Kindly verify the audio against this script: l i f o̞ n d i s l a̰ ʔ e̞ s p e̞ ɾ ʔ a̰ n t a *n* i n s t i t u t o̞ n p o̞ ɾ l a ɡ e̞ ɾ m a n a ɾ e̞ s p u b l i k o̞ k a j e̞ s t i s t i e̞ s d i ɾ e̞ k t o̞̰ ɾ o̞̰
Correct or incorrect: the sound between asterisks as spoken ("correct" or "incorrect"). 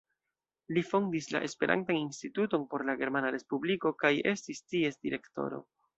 correct